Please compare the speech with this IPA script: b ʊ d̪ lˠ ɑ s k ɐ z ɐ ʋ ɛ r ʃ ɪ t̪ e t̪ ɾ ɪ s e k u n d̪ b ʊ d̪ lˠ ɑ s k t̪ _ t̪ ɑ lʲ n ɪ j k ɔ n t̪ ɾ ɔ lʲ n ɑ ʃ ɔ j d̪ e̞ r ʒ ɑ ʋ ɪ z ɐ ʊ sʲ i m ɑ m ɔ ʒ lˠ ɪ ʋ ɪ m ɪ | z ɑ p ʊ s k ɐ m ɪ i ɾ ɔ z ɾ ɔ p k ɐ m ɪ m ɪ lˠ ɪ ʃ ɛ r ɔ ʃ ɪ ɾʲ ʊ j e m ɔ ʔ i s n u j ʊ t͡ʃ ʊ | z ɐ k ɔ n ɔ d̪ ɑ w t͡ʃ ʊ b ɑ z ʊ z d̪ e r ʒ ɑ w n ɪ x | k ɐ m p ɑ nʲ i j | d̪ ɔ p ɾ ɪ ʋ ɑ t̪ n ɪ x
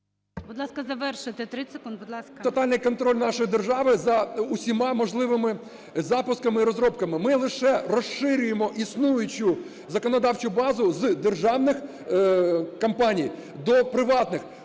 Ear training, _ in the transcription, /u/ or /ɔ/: ɔ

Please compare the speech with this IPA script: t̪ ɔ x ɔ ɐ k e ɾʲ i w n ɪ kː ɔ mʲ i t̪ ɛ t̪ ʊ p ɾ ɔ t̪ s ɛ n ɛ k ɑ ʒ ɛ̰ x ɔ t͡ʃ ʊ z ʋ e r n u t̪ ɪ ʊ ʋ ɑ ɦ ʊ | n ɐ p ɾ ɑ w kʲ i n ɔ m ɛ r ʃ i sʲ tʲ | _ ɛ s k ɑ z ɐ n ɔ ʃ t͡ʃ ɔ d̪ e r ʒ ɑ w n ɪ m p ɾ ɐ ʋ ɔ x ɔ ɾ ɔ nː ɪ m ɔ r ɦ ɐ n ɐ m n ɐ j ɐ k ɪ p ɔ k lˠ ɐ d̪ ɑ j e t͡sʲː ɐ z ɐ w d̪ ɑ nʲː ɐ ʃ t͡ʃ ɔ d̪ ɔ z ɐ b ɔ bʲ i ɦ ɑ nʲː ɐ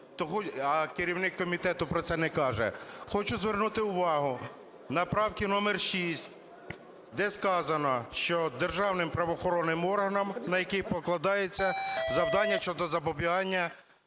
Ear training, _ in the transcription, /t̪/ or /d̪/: d̪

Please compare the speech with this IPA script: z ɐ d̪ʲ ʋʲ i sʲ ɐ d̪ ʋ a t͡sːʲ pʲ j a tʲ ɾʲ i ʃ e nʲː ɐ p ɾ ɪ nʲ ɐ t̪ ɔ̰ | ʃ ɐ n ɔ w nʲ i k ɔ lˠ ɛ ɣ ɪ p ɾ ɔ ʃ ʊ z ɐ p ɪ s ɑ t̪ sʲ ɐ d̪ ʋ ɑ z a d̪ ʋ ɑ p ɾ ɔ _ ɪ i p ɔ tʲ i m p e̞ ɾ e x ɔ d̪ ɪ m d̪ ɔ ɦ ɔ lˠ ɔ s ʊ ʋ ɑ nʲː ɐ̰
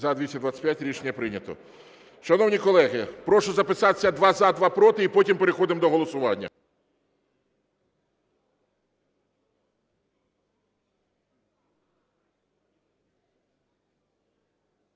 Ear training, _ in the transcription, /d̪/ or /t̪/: t̪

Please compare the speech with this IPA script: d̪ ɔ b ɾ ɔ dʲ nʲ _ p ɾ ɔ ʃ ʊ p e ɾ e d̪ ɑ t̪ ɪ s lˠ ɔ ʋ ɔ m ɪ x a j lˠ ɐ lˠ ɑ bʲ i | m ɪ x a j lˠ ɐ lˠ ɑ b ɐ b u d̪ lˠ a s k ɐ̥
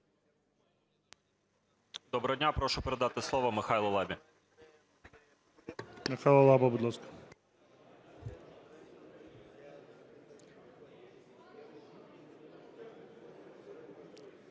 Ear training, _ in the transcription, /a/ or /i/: a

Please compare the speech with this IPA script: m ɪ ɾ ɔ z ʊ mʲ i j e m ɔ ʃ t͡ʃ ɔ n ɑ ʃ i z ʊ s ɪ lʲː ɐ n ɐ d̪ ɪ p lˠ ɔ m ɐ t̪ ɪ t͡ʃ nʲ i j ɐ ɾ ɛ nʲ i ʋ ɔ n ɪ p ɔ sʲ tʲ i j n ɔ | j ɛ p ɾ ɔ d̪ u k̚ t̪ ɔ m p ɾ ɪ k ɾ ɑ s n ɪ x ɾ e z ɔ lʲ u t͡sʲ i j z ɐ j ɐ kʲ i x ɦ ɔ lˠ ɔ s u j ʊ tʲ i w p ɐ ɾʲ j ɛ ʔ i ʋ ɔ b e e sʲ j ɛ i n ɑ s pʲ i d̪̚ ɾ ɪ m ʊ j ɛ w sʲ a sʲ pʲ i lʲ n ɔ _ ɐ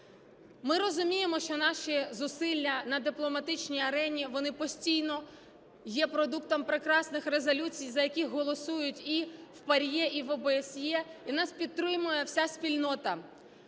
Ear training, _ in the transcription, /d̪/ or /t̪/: t̪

